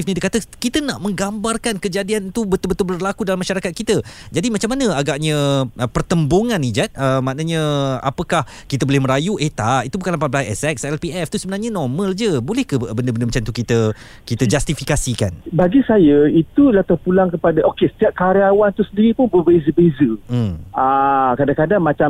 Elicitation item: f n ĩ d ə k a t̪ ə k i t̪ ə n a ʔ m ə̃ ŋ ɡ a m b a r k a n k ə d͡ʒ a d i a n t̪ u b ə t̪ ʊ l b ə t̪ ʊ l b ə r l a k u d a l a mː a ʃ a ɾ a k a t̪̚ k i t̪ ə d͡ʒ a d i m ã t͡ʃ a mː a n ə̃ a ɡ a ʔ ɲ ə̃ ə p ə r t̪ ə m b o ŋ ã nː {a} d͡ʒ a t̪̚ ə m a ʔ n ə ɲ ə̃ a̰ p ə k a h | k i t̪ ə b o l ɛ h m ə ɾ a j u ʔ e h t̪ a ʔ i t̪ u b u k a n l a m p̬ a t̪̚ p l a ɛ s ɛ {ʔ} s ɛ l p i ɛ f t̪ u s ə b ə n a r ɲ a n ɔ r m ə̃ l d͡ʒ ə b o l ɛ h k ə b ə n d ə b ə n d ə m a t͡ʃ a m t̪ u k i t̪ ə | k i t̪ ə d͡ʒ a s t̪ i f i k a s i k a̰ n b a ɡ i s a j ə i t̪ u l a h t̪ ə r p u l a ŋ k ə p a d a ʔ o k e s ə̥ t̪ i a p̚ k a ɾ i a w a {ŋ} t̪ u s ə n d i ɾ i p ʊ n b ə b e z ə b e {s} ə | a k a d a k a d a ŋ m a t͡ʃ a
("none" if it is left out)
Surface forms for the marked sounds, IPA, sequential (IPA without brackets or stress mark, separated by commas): i, k, n, z